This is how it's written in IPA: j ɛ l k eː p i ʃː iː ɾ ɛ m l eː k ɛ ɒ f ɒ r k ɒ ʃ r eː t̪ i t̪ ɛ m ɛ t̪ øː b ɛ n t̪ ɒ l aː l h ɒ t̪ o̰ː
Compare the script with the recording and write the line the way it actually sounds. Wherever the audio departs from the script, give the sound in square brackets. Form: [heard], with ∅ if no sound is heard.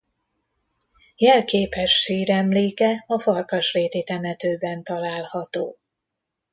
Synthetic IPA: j ɛ l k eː p [ɛ] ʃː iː ɾ ɛ m l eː k ɛ ɒ f ɒ r k ɒ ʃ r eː t̪ i t̪ ɛ m ɛ t̪ øː b ɛ n t̪ ɒ l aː l h ɒ t̪ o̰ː